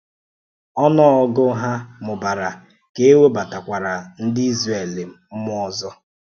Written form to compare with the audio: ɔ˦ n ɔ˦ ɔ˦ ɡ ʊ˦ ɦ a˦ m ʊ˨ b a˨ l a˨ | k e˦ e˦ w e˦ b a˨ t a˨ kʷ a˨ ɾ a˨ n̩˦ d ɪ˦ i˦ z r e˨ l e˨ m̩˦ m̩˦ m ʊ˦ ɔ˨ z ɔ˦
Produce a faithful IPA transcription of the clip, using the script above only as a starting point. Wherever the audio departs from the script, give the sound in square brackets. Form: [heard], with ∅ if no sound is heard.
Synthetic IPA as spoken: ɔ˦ n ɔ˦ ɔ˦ ɡ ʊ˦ ɦ a˦ m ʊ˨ b a˨ [ɾ] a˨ | k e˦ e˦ w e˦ b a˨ t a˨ kʷ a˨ ɾ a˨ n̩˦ d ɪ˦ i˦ z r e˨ l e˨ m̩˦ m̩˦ m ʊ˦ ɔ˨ z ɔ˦

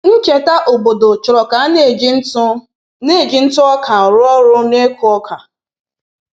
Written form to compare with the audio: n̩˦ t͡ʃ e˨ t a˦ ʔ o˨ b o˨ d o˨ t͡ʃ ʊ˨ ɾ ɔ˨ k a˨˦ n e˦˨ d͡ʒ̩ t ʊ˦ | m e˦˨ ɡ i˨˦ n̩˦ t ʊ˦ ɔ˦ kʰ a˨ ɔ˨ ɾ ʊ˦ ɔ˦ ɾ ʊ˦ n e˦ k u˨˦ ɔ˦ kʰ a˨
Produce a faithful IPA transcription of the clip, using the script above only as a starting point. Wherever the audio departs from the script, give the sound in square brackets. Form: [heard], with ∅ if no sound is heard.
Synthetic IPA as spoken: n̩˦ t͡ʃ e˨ t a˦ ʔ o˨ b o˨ d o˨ t͡ʃ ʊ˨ ɾ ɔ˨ k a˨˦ n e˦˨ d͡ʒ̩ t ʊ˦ | [n] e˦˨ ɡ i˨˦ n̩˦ t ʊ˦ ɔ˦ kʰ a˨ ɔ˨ ɾ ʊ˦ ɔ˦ ɾ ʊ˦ n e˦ k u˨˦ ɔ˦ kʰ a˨

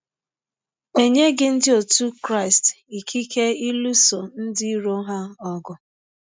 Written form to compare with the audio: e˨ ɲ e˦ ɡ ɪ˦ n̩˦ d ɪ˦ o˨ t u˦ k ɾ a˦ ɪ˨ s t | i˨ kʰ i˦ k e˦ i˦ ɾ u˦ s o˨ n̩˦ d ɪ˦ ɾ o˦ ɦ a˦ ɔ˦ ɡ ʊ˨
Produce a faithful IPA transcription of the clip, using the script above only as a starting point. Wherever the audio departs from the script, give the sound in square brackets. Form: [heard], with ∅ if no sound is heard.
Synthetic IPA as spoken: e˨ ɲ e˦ ɡ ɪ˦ n̩˦ d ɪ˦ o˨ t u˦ k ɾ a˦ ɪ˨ s t | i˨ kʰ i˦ k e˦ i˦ [l] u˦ s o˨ n̩˦ d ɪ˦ ɾ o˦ ɦ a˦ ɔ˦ ɡ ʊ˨

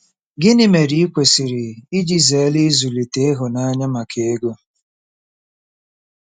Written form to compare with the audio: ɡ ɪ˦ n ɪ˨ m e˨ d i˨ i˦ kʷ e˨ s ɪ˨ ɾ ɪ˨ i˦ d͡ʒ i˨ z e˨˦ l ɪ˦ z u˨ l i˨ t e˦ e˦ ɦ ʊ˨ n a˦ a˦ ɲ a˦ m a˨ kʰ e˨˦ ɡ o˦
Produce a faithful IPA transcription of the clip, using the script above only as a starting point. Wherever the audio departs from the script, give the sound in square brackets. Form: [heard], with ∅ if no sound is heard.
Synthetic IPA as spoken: ɡ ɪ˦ n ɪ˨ m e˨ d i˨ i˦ kʷ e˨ s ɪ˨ ɾ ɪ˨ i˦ d͡ʒ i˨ z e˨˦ l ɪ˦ z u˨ l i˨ t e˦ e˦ ɦ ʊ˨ n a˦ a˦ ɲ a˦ m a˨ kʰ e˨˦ ɡ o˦

